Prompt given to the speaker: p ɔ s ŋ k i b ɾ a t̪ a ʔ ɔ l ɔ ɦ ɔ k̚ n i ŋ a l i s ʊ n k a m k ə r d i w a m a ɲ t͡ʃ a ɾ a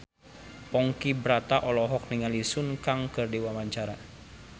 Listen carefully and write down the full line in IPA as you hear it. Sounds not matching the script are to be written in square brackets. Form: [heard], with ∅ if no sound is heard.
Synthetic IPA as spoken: p ɔ [∅] ŋ k i b ɾ a t̪ a ʔ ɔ l ɔ ɦ ɔ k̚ n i ŋ a l i s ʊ n k a [ŋ] k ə r d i w a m a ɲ t͡ʃ a ɾ a